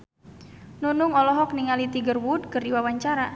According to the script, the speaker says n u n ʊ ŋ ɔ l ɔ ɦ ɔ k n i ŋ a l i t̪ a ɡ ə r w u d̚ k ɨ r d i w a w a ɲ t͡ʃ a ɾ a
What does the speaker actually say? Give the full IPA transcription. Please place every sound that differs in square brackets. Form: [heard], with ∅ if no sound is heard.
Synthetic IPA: n u n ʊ ŋ ɔ l ɔ ɦ ɔ k n i ŋ a l i t̪ [i] ɡ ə r w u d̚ k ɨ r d i w a w a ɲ t͡ʃ a ɾ a

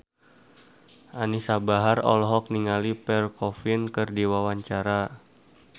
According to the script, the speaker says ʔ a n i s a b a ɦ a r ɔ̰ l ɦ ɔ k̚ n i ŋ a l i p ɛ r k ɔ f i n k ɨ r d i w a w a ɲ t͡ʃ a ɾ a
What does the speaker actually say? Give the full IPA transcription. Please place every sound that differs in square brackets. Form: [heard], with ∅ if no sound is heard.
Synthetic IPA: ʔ a n i s a b a ɦ a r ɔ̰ l ɦ ɔ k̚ n i ŋ a l i p ɛ r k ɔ f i n k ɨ r d i w a w a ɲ t͡ʃ a ɾ a

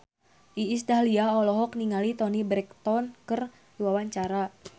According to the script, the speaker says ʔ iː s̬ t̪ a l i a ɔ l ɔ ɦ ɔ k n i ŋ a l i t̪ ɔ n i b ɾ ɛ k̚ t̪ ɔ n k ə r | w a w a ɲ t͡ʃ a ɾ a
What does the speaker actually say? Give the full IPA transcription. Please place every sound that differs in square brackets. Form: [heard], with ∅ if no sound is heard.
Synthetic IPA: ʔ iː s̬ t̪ a l i a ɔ l ɔ ɦ ɔ k n i ŋ a l i t̪ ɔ n i b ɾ ɛ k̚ t̪ ɔ n k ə r | w a w a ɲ t͡ʃ a ɾ a

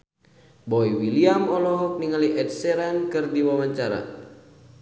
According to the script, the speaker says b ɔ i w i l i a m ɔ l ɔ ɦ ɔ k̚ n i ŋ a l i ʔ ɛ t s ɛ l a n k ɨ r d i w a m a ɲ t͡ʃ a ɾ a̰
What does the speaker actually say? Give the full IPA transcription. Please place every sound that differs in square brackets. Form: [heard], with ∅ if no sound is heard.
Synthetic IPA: b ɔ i w i l i a m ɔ l ɔ ɦ ɔ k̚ n i ŋ a l i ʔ ɛ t s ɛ [ɾ] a n k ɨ r d i w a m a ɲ t͡ʃ a ɾ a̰

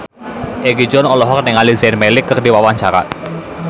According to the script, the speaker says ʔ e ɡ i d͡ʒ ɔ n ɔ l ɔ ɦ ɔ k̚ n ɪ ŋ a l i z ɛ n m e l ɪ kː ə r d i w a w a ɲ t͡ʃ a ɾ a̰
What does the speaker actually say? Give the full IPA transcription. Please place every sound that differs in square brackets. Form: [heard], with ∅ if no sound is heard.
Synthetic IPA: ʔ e ɡ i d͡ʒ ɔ n ɔ l ɔ ɦ ɔ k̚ n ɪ ŋ a l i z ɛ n m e l ɪ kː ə r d i w a w a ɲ t͡ʃ a ɾ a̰

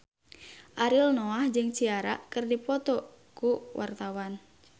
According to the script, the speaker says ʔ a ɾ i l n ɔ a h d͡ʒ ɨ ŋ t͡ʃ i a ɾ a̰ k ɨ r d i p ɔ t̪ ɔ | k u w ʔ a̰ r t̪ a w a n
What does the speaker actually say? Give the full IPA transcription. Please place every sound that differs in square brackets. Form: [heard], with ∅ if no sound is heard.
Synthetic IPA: ʔ a ɾ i l n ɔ a h d͡ʒ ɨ ŋ t͡ʃ i a ɾ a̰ k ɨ r d i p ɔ t̪ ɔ | k u w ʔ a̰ r t̪ a w a n

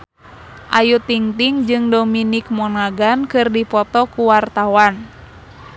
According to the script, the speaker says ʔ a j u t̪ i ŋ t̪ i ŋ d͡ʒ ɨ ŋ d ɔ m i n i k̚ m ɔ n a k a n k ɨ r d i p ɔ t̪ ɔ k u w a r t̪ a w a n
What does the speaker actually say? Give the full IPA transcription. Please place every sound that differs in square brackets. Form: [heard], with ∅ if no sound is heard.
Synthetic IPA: ʔ a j u t̪ i ŋ t̪ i ŋ d͡ʒ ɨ ŋ d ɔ m i n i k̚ m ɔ n a [ɡ] a n k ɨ r d i p ɔ t̪ ɔ k u w a r t̪ a w a n

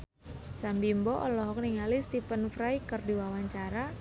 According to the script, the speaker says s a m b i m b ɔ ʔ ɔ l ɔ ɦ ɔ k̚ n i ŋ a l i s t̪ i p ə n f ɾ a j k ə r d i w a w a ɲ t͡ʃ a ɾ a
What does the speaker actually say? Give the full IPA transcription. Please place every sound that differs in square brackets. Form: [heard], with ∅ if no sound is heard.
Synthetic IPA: s a m b i m b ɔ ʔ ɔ l ɔ ɦ ɔ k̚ n i ŋ a l i s t̪ i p ə n f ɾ a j k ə r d i w a w a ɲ t͡ʃ a ɾ a

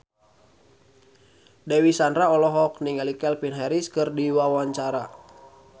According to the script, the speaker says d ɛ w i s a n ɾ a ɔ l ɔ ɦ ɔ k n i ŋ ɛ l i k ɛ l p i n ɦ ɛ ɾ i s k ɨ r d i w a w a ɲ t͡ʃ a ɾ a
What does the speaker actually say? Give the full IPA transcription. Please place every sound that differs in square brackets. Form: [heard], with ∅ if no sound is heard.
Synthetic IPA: d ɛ w i s a n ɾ a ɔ l ɔ ɦ ɔ k n i ŋ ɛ l i k ɛ l p i n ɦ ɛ ɾ i s k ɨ r d i w a w a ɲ t͡ʃ a ɾ a

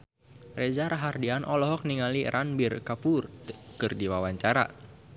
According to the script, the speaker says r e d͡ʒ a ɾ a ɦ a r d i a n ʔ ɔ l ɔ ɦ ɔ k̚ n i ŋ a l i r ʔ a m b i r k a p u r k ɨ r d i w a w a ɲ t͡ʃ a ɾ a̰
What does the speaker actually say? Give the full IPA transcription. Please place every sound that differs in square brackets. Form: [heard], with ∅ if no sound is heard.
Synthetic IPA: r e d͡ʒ a ɾ a ɦ a r d i a n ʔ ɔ l ɔ ɦ ɔ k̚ n i ŋ a l i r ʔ a [n] b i r k a p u r k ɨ r d i w a w a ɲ t͡ʃ a ɾ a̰

